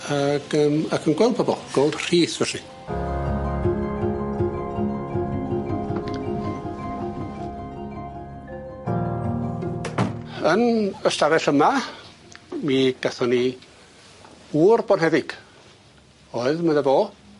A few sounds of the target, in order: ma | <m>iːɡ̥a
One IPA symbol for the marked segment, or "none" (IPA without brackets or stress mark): m